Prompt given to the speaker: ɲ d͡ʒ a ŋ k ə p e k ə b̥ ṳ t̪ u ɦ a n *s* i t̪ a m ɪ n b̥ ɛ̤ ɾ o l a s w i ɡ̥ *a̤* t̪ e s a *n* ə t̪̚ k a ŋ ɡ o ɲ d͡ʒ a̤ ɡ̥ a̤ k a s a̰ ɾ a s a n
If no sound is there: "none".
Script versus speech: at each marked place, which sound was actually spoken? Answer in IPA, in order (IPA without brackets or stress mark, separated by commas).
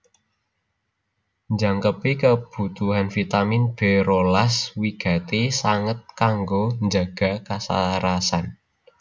f, a̤, ŋ